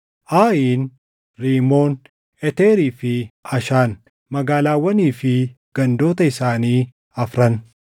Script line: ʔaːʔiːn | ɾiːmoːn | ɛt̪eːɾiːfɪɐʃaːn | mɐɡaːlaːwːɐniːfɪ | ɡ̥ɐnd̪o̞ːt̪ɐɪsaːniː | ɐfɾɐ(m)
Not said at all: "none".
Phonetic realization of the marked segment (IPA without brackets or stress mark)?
n